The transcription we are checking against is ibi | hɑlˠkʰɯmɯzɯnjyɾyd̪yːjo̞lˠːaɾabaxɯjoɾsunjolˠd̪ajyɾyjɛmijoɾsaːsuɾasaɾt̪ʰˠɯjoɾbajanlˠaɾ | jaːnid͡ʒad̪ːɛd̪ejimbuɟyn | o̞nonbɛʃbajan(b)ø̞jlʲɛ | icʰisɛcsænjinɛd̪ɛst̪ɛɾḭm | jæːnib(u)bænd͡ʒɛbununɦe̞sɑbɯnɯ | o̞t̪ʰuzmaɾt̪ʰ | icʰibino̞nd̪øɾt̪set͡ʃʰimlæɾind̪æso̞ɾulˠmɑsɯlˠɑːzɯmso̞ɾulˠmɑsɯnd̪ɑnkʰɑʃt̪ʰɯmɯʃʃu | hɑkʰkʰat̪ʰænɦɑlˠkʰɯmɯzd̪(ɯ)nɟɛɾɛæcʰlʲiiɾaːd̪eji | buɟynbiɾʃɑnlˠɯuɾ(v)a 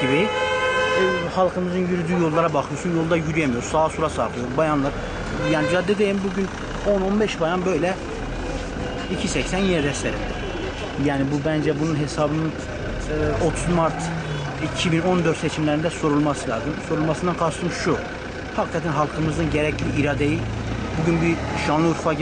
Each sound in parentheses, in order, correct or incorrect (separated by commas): correct, correct, correct, incorrect